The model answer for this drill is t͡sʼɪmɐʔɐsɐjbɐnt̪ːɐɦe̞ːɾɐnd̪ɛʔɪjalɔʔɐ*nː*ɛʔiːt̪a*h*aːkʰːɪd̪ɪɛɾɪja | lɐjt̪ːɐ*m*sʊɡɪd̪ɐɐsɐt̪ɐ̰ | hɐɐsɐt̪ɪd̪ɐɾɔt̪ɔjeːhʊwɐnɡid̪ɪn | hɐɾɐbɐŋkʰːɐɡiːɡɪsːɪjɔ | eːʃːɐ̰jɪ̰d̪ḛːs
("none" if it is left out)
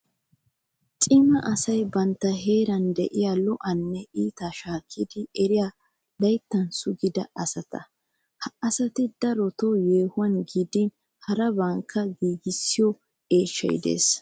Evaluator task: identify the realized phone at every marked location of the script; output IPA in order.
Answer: nː, ʃ, n

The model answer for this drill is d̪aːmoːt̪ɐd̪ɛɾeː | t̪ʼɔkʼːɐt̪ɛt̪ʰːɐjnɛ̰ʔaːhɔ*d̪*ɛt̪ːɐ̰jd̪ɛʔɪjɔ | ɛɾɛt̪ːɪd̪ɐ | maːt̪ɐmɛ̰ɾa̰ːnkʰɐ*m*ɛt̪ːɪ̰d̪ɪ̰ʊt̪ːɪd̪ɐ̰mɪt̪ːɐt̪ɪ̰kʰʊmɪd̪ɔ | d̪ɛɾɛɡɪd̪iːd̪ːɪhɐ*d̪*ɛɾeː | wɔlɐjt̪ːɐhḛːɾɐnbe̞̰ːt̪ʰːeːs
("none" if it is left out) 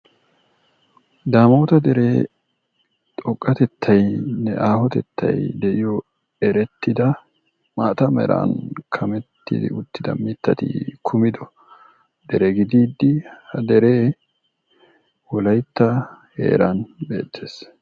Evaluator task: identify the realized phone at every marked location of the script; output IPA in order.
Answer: t̪, m, d̪

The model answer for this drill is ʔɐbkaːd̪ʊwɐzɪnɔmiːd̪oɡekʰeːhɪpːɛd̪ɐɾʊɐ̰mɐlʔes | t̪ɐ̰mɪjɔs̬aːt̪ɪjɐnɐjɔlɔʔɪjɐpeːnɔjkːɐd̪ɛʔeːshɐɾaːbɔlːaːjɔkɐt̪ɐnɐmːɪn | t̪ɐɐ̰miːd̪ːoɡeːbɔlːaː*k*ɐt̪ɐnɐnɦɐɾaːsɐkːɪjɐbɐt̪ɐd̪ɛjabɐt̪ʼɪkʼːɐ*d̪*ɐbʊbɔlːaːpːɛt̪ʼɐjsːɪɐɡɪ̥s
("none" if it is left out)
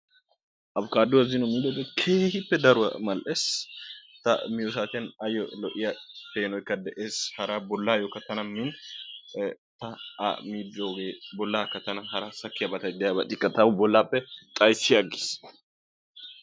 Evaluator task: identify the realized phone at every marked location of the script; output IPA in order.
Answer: k, t̪

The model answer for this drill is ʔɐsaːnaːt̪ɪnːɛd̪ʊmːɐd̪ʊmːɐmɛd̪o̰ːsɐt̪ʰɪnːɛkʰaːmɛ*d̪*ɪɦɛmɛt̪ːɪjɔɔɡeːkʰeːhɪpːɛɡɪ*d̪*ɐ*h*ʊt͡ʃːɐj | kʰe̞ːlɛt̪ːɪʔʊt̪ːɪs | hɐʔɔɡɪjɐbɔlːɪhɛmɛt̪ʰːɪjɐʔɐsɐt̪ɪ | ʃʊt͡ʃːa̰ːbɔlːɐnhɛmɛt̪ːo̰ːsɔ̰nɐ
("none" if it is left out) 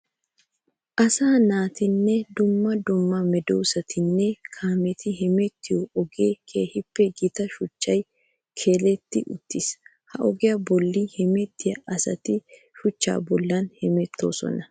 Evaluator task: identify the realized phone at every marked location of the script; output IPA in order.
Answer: t̪, t̪, ʃ

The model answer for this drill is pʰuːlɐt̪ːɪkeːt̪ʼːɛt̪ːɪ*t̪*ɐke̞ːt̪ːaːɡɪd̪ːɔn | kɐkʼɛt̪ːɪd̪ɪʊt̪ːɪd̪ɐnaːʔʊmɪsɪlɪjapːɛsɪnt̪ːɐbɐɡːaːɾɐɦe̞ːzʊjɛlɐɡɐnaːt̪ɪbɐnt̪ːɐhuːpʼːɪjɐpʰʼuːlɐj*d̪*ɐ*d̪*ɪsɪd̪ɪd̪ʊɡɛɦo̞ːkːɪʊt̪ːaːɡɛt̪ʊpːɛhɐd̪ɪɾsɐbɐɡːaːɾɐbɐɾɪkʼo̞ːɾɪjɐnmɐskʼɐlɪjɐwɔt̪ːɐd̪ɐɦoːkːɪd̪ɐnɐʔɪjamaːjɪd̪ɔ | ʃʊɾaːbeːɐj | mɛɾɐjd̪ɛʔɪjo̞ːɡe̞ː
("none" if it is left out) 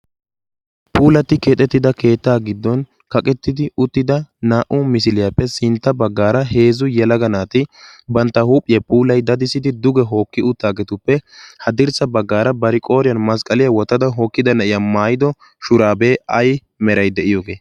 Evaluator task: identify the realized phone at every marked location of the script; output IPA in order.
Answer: d̪, d̪, d̪

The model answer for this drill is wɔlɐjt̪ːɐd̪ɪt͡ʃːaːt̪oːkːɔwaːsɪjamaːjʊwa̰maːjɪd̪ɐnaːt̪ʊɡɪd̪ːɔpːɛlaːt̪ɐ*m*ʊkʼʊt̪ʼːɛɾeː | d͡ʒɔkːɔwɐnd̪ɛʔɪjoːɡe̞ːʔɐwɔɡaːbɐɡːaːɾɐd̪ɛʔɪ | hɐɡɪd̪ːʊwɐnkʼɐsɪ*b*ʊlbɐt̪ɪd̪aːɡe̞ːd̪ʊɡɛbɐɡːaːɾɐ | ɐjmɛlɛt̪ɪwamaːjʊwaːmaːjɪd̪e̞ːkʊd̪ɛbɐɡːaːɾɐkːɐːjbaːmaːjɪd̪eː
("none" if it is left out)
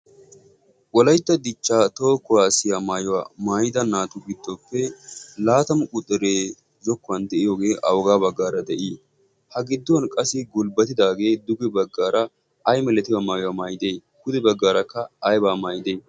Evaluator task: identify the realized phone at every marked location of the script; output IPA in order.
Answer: m, ɡ

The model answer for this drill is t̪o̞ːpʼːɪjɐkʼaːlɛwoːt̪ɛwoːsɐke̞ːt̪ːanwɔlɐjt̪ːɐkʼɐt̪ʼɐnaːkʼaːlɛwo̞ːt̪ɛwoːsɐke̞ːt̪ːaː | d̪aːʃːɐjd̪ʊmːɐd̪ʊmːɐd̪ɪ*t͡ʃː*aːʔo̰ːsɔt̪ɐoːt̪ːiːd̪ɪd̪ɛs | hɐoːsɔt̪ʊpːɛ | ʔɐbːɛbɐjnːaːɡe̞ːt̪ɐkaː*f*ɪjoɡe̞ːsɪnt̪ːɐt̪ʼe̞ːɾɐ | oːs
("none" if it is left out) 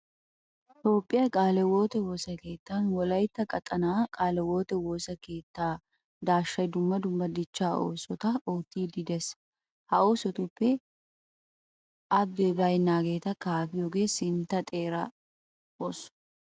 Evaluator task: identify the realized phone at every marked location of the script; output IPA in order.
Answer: t͡ʃː, f

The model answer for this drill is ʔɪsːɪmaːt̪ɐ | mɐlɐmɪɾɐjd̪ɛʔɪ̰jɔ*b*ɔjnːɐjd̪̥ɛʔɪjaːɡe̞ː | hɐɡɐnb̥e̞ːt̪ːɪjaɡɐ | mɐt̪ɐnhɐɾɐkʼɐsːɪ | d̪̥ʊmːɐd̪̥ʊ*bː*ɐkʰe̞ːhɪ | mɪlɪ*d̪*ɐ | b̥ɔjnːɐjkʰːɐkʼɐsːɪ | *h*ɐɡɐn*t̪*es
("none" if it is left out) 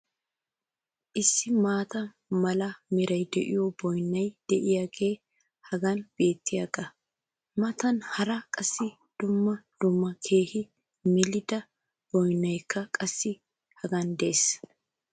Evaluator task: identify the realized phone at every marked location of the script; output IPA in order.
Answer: b, mː, d̪, h, d̪

